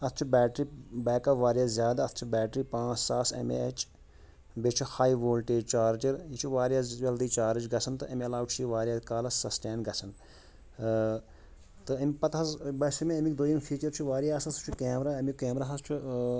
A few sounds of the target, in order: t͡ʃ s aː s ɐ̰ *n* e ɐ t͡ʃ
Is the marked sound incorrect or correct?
incorrect